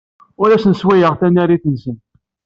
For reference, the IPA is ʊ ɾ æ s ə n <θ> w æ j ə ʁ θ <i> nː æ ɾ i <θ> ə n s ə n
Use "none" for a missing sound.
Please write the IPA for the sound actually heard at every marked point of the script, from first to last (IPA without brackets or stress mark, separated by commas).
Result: s, æ, θ